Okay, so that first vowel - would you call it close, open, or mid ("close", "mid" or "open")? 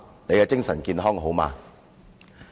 mid